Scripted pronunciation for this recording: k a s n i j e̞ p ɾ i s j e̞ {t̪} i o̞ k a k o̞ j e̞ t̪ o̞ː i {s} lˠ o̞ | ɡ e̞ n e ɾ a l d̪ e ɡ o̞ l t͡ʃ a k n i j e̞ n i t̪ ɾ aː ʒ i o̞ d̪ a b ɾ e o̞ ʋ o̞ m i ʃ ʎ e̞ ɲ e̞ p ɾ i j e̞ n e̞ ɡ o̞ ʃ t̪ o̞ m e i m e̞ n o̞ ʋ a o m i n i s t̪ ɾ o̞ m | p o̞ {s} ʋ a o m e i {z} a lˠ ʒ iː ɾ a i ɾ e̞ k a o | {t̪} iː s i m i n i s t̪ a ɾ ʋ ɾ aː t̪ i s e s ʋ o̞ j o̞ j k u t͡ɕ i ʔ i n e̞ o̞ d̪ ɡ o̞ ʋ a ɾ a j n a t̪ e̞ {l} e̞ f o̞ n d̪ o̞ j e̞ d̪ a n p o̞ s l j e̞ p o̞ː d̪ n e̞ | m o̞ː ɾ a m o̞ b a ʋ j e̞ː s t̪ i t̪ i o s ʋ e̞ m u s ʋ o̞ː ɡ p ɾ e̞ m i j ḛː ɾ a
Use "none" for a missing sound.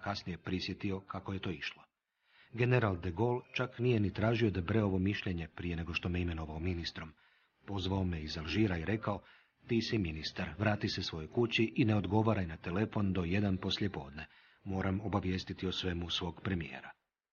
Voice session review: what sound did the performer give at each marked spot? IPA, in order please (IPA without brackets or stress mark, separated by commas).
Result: t̪, ʃ, z, z, t̪, l